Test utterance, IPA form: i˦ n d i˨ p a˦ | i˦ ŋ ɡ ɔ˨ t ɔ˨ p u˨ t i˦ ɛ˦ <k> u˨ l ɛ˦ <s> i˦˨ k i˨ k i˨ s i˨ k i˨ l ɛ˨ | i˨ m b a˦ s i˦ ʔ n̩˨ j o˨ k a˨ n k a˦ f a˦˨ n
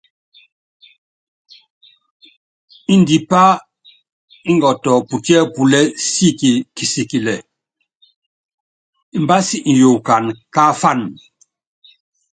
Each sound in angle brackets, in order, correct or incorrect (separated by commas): incorrect, correct